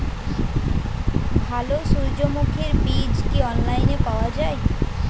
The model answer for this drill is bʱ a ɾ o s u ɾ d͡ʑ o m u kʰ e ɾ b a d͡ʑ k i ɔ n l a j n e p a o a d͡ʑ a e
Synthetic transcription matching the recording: bʱ a l o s u ɾ d͡ʑ o m u kʰ e ɾ b i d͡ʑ k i ɔ n l a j n e p a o a d͡ʑ a e